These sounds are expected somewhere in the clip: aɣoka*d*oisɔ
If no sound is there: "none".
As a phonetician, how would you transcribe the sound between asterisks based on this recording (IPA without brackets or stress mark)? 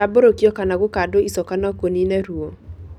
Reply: d